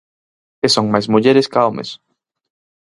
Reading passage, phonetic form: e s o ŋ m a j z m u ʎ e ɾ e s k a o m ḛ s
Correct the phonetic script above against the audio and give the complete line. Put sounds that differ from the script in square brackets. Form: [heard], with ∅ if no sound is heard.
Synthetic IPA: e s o ŋ m a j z m u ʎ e ɾ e s k a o m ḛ s